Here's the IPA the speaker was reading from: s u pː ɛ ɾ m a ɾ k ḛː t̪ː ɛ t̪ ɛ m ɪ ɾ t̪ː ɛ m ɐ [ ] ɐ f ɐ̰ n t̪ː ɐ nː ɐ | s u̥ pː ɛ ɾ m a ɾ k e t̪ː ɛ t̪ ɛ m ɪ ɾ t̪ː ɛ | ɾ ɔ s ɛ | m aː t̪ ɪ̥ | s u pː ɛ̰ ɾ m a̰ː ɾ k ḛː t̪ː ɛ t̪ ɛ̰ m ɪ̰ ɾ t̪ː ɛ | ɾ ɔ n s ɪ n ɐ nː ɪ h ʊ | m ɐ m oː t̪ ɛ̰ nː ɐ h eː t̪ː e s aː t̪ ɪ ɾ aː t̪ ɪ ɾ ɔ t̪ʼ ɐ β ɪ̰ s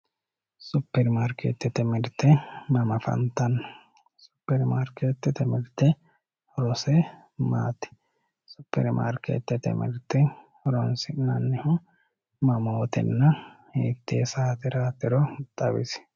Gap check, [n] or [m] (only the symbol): m